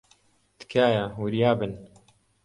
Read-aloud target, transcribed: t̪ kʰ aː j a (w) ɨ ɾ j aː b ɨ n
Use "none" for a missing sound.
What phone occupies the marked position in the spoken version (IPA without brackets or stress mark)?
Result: w